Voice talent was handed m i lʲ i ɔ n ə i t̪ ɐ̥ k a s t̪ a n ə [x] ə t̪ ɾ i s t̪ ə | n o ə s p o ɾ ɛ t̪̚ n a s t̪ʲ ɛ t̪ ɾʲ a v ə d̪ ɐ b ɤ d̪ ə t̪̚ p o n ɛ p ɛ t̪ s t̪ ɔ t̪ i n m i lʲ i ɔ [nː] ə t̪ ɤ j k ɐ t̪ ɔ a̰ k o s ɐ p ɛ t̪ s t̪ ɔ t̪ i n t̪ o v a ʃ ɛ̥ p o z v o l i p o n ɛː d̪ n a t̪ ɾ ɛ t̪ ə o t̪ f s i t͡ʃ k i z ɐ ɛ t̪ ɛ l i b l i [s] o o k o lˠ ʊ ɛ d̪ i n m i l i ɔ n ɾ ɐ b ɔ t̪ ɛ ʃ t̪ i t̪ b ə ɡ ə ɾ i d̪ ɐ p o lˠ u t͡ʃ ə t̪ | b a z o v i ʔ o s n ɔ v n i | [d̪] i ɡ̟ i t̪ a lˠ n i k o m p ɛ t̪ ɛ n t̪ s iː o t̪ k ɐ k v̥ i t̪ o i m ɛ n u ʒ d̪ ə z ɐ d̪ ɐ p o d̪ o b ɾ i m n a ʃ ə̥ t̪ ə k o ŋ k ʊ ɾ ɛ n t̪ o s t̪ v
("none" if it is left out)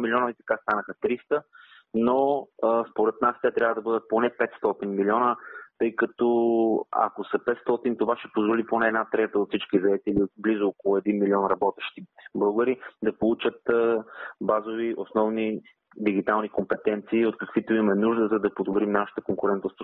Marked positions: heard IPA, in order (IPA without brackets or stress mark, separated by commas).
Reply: x, n, z, d̪